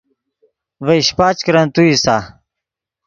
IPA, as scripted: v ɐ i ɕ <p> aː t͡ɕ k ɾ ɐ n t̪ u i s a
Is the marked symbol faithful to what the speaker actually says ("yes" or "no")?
yes